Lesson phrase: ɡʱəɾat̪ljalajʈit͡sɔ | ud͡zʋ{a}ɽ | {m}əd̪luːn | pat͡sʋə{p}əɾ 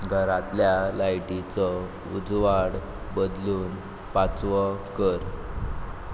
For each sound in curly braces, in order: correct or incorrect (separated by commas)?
correct, incorrect, incorrect